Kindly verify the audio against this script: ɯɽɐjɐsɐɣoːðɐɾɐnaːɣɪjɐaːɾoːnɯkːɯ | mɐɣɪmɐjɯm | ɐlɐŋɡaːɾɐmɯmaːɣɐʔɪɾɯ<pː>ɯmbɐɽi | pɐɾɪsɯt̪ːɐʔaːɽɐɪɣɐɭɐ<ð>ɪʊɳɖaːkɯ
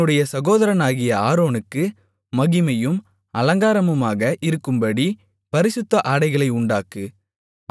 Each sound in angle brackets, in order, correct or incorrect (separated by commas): incorrect, incorrect